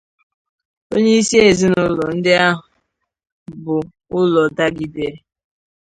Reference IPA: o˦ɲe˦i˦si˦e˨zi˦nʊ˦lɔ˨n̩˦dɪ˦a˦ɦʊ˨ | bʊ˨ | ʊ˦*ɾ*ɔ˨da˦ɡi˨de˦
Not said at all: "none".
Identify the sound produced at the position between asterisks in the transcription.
l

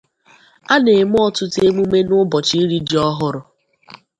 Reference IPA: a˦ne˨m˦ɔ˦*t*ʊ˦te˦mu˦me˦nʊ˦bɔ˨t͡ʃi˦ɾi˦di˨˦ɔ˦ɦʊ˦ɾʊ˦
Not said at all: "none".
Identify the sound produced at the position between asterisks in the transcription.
t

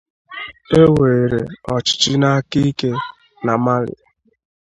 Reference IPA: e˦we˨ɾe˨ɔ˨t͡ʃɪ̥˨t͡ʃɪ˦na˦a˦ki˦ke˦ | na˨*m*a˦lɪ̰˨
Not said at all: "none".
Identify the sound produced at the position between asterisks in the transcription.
m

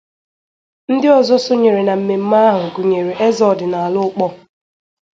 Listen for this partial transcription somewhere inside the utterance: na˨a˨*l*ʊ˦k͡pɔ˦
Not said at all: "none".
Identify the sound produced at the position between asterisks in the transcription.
l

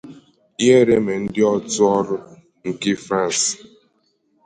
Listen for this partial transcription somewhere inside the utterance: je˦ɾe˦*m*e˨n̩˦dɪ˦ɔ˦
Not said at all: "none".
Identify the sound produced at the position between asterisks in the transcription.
m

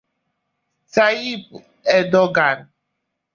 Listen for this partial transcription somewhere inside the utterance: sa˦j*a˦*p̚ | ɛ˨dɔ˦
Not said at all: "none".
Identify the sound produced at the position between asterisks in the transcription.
i˦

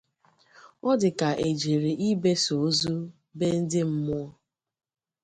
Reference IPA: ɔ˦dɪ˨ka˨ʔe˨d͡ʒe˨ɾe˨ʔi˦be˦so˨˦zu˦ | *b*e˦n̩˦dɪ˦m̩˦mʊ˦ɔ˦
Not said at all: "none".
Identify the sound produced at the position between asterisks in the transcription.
b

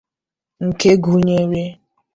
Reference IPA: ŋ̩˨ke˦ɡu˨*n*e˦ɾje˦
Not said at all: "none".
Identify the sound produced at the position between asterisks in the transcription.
ɲ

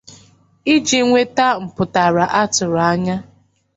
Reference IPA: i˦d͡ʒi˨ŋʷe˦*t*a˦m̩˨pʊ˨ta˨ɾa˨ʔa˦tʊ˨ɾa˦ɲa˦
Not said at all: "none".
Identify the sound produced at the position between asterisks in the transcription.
t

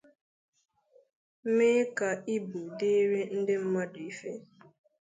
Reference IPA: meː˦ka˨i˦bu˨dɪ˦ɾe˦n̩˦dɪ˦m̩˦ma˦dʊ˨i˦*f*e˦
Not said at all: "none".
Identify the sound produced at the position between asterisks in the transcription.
f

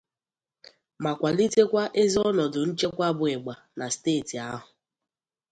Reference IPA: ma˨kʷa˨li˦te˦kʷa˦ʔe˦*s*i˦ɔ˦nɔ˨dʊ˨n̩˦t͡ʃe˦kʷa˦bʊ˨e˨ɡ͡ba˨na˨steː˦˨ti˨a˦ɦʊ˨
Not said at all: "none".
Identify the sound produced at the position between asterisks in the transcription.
z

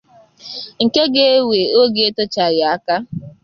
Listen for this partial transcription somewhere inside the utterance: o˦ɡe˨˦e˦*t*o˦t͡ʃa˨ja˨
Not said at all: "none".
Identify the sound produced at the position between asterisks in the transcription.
t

